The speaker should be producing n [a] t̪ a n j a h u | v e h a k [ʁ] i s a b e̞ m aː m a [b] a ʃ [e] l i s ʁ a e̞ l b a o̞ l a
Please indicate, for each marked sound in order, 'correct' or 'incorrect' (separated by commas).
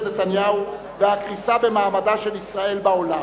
incorrect, correct, incorrect, correct